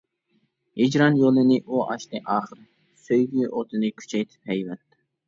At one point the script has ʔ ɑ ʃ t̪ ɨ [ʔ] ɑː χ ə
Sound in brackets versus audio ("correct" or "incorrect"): correct